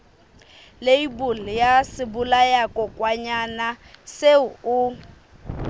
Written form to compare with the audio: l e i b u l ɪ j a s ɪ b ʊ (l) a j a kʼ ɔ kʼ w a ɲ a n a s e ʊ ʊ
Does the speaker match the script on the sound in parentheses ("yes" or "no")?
yes